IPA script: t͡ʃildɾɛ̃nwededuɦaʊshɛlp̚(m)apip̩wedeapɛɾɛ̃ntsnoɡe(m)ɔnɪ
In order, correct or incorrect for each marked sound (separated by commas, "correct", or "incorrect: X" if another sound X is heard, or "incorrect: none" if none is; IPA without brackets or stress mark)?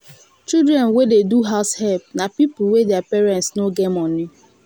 incorrect: n, correct